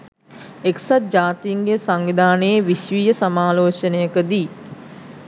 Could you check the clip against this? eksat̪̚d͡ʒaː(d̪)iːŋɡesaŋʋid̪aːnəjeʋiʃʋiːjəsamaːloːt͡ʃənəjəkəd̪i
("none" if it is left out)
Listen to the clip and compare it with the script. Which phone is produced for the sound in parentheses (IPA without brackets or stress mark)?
t̪